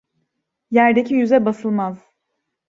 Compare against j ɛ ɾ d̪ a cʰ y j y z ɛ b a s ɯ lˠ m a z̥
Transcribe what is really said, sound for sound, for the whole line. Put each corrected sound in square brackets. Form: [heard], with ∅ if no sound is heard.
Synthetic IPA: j [æ] ɾ d̪ [e] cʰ [i] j y z ɛ b a s ɯ lˠ m a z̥

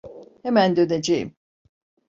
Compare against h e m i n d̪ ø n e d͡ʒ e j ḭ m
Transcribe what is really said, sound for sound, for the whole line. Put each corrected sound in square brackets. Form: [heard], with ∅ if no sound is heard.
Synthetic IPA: h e m [æ] n d̪ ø n e d͡ʒ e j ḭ m

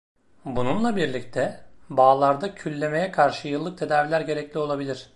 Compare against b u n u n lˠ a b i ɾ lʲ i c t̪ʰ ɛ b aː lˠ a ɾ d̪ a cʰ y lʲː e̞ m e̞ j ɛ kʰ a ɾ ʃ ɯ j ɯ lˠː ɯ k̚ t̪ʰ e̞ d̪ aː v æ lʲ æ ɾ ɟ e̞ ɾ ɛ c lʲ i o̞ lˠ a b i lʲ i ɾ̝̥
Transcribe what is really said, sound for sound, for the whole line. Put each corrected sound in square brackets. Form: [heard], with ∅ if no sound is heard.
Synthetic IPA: b u n u n lˠ a b i ɾ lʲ i c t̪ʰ ɛ b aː lˠ a ɾ d̪ a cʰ y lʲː e̞ m e̞ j ɛ kʰ a ɾ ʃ ɯ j ɯ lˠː ɯ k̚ t̪ʰ e̞ d̪ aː v [i] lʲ æ ɾ ɟ e̞ ɾ ɛ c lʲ i o̞ lˠ a b i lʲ i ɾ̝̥

